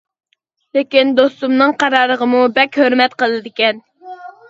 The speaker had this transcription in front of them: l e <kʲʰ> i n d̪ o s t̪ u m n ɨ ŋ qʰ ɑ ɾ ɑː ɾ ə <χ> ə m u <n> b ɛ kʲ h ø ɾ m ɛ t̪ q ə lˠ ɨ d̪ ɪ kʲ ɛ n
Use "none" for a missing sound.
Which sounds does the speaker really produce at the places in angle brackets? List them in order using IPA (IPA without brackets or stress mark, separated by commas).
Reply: kʲ, ʁ, none